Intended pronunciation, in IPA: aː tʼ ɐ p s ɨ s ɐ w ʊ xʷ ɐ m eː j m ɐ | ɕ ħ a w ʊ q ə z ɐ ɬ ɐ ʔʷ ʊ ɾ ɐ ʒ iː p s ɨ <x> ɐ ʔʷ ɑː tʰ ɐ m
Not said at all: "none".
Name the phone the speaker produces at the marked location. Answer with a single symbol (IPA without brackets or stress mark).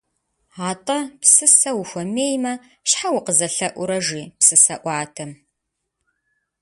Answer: s